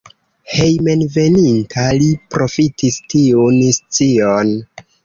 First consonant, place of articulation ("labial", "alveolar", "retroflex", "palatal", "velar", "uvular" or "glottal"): glottal